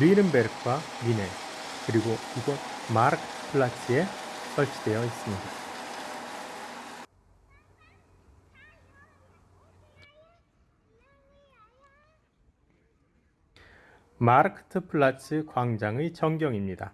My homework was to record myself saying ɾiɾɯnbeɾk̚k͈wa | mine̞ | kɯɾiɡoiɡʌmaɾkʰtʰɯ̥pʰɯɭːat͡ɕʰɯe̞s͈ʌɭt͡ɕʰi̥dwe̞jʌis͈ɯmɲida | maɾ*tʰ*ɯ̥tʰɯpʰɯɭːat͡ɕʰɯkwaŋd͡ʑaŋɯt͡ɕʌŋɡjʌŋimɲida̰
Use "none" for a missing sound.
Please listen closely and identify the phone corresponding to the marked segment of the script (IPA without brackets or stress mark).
kʰ